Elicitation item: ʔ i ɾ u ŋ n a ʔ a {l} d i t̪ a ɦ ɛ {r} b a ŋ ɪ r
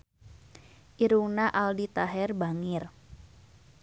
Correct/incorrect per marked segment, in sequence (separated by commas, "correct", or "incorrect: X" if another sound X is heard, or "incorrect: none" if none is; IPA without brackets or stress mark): correct, correct